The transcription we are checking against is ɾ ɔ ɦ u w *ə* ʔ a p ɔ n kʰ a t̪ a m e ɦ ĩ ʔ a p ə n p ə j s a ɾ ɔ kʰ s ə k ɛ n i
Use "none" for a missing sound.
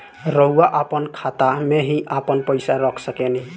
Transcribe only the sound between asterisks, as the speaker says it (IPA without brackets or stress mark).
a